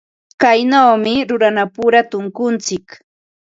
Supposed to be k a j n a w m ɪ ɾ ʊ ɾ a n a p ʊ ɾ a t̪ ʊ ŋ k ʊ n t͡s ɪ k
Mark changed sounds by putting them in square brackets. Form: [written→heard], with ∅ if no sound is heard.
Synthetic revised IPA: k a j n a w m ɪ ɾ ʊ ɾ a n a p ʊ ɾ a t̪ ʊ ŋ k ʊ n t͡s ɪ k